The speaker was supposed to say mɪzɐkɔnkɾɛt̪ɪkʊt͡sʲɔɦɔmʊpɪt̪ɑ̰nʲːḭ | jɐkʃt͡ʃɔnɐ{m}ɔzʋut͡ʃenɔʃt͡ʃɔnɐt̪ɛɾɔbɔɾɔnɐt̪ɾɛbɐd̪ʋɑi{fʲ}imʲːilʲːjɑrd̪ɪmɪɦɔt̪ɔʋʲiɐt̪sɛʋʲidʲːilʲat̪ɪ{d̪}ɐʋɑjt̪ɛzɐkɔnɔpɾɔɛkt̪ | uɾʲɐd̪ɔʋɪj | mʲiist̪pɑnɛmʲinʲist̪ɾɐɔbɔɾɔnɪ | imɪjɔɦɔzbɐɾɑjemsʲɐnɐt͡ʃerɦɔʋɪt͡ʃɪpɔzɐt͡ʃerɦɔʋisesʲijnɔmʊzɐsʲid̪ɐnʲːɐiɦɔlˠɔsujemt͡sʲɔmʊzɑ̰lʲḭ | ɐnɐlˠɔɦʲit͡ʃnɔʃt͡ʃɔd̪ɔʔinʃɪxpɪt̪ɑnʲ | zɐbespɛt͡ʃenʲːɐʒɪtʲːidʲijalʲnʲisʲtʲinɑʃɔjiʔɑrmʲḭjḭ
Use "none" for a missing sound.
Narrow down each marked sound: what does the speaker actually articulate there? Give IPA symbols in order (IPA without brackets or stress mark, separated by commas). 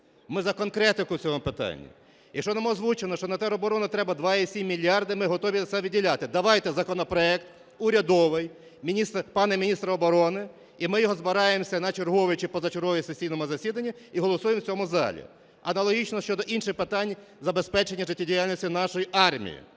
m, sʲ, d̪